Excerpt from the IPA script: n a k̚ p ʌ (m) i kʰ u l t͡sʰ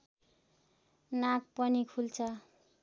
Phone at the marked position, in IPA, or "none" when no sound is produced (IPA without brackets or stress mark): n